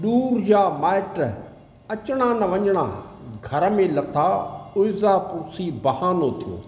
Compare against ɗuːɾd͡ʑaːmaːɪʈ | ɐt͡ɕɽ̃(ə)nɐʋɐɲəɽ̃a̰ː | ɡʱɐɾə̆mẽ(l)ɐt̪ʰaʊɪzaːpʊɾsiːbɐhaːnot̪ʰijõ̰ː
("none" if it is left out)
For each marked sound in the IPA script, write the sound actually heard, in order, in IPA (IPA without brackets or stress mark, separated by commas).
a, l